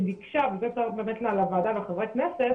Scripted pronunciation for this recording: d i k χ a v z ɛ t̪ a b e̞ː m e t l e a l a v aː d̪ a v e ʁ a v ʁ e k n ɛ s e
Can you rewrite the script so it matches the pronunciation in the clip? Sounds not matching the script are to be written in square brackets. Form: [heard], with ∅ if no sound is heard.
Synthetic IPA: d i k [ʃ] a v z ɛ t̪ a b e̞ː m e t l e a l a v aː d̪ a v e [χ] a v ʁ e k n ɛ s e